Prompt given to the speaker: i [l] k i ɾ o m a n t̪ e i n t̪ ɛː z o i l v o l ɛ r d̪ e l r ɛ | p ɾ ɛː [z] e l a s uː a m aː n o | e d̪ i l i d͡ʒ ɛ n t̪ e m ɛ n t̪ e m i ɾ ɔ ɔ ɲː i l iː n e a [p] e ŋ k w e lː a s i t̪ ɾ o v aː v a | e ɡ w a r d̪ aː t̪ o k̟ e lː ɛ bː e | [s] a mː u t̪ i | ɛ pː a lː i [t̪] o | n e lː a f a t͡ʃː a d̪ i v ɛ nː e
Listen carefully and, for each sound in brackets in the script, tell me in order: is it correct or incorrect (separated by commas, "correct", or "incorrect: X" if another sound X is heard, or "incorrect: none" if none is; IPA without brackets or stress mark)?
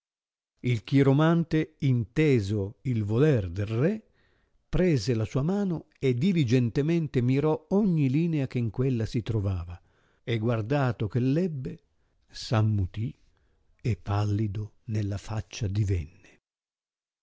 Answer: correct, correct, incorrect: k, correct, incorrect: d̪